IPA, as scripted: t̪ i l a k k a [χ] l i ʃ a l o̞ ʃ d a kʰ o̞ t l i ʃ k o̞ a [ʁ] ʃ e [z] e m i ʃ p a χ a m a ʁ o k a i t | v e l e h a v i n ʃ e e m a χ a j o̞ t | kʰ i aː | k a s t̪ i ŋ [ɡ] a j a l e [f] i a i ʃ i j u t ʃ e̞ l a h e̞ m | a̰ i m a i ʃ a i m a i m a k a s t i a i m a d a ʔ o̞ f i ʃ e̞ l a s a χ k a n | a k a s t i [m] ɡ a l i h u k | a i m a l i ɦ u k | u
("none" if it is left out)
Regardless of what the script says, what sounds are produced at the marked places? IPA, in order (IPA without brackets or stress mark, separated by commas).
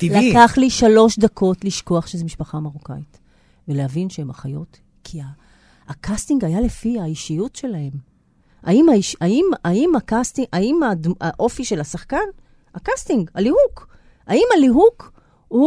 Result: χ, χ, z, ɡ, f, ŋ